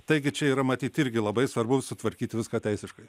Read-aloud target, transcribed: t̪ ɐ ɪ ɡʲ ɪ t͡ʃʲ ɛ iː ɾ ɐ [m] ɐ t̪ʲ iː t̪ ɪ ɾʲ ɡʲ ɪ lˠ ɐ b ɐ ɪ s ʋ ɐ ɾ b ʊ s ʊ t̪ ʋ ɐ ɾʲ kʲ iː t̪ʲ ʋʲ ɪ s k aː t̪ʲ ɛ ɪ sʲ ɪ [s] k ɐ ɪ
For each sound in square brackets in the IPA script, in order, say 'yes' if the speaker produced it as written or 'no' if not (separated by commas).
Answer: yes, no